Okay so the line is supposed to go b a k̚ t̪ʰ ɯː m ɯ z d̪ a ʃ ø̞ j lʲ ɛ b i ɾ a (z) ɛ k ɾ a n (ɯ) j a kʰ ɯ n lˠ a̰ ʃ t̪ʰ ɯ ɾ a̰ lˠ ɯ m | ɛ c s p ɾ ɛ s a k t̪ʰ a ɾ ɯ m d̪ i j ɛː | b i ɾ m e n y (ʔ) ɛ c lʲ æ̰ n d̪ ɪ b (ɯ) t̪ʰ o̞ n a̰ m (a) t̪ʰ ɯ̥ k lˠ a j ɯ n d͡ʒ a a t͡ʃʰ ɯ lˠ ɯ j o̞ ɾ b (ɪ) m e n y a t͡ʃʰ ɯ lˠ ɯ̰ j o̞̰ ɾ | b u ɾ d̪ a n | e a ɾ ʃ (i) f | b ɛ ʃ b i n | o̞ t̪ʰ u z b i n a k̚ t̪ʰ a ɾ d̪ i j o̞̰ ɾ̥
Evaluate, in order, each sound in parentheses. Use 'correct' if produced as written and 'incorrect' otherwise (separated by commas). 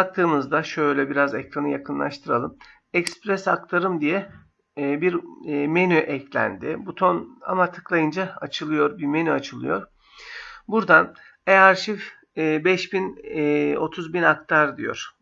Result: correct, correct, correct, incorrect, correct, incorrect, correct